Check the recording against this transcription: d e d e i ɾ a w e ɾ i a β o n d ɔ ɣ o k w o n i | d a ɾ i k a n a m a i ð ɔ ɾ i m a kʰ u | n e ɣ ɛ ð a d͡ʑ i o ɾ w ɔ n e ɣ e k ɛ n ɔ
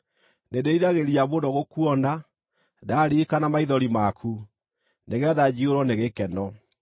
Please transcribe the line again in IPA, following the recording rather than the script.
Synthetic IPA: n e d e i ɾ a ɣ e ɾ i a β o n d ɔ ɣ o k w ɔ n a | d a ɾ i k a n a m a i ð ɔ ɾ i m a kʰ u | n e ɣ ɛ ð a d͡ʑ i o ɾ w ɔ n e ɣ e k ɛ n ɔ